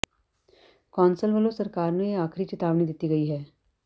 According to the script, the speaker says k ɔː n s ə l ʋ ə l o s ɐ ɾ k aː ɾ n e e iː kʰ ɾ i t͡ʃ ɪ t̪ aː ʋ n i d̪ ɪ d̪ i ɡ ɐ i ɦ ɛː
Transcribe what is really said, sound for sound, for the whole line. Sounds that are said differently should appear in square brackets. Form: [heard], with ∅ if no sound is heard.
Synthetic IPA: k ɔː n s ə l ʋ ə l o s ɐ ɾ k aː ɾ n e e [aː] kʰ ɾ i t͡ʃ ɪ t̪ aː ʋ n i d̪ ɪ [t̪] i ɡ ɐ i ɦ ɛː